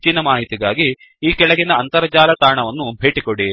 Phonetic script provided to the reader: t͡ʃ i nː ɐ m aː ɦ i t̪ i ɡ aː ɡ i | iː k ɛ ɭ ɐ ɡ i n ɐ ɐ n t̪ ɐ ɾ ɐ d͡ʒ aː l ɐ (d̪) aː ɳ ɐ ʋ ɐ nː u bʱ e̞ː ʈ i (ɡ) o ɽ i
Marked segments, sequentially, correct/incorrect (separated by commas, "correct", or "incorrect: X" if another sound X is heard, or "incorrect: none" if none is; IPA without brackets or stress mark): incorrect: t̪, incorrect: k